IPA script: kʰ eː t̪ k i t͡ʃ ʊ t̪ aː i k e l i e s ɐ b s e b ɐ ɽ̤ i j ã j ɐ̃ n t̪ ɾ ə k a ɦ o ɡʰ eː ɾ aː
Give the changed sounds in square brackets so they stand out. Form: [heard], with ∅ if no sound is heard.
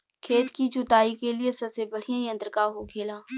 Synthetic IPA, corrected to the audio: kʰ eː t̪ k i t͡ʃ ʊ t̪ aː i k e l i e s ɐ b s e b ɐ ɽ̤ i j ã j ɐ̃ n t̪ ɾ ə k a ɦ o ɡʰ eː [l] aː